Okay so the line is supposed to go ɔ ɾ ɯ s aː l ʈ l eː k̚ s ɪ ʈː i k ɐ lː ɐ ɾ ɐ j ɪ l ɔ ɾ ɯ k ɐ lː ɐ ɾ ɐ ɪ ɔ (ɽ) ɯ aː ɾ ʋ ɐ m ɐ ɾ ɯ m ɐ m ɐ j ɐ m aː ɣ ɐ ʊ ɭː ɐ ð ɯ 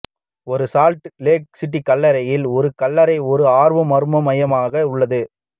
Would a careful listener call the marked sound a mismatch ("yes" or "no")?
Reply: yes